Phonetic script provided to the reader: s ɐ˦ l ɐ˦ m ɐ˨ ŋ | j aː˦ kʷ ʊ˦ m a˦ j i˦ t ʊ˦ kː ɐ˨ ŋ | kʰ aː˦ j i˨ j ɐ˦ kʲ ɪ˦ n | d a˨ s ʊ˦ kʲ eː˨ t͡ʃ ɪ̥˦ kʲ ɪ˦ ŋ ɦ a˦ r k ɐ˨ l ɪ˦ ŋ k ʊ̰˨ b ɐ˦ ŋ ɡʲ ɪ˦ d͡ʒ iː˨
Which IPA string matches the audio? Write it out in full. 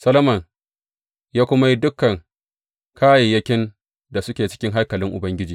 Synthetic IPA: s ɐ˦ l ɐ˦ m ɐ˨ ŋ | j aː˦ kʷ ʊ˦ m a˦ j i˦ d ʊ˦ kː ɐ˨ ŋ | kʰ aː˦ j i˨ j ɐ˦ kʲ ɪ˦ n | d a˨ s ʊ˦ kʲ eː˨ t͡ʃ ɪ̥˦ kʲ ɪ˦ ŋ ɦ a˦ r k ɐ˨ l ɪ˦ ŋ ʔ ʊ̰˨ b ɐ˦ ŋ ɡʲ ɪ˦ d͡ʒ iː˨